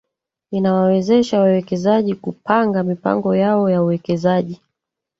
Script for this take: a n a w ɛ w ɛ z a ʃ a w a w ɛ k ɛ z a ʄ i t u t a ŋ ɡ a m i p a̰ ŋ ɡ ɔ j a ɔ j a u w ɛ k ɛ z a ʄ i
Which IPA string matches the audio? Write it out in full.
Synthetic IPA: i n a w a w ɛ z ɛ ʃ a w a w ɛ k ɛ z a ʄ i k u p a ŋ ɡ a m i p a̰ ŋ ɡ ɔ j a ɔ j a u w ɛ k ɛ z a ʄ i